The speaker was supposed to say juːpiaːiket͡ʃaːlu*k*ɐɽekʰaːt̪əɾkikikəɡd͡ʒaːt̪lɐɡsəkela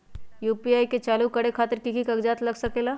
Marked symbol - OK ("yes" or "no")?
yes